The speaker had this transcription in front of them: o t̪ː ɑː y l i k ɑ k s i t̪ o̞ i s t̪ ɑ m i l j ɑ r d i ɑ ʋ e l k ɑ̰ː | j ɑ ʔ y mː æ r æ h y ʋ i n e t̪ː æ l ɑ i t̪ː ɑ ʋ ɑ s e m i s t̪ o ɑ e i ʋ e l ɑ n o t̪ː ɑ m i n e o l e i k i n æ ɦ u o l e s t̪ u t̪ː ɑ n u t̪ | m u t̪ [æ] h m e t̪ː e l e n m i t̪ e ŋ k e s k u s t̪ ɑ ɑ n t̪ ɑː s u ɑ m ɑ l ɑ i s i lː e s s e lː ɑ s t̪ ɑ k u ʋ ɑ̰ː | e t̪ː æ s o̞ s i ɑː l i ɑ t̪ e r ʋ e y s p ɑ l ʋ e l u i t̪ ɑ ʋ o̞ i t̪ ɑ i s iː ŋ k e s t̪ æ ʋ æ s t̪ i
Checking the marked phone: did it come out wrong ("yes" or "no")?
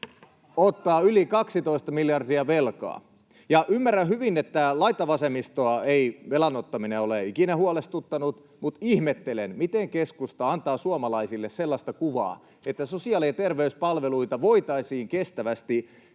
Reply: yes